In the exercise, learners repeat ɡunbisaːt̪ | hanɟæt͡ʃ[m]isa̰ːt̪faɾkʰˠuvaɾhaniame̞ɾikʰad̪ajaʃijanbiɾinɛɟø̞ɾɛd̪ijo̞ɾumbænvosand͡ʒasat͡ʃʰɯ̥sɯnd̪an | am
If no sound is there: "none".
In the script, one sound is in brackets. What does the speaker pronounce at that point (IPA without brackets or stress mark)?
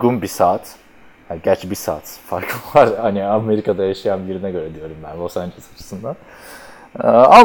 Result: b